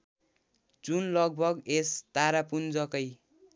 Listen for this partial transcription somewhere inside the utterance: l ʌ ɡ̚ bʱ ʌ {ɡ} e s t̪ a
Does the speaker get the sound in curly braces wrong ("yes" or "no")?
no